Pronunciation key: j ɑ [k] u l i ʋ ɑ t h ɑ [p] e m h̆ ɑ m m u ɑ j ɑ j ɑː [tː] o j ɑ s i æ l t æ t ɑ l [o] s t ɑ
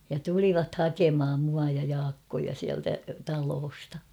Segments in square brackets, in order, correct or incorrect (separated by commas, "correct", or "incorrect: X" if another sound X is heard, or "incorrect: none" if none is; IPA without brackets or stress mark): incorrect: t, incorrect: k, incorrect: kː, incorrect: oː